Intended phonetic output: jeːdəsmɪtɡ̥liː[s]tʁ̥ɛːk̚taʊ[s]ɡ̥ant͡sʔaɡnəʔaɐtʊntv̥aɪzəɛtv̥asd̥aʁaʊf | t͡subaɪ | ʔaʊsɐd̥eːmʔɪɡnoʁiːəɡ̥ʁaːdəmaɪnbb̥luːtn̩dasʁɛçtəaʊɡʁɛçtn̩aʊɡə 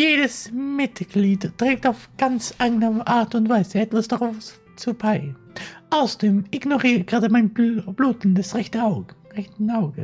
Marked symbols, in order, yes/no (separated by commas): no, no